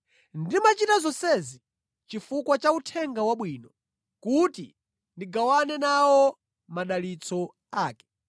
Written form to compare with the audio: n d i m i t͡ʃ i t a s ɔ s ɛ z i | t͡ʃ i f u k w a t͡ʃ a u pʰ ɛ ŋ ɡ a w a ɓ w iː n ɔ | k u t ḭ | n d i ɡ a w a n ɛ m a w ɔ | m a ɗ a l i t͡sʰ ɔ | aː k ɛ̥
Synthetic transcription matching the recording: n d i m a t͡ʃ i t a z ɔ s ɛ z i | t͡ʃ i f u k w a t͡ʃ a u tʰ ɛ ŋ ɡ a w a ɓ w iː n ɔ | k u t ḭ | n d i ɡ a w a n ɛ n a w ɔ | m a ɗ a l i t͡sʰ ɔ | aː k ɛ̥